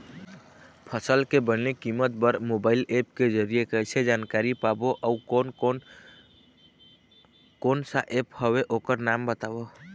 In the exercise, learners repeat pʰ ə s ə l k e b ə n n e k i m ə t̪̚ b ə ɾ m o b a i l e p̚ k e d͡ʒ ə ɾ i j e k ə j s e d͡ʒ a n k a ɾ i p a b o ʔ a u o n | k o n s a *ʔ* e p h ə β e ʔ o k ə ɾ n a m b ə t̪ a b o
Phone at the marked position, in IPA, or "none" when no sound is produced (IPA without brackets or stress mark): ʔ